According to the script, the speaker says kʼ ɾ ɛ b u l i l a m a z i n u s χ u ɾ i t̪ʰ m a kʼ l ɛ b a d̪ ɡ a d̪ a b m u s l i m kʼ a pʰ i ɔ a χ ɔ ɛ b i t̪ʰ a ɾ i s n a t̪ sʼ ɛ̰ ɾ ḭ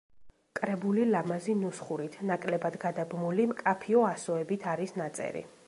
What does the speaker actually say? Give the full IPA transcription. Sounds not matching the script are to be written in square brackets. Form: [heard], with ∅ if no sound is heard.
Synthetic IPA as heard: kʼ ɾ ɛ b u l i l a m a z i n u s χ u ɾ i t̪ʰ [n] a kʼ l ɛ b a d̪ ɡ a d̪ a b m u [∅] l i m kʼ a pʰ i ɔ a [s] ɔ ɛ b i t̪ʰ a ɾ i s n a t̪ sʼ ɛ̰ ɾ ḭ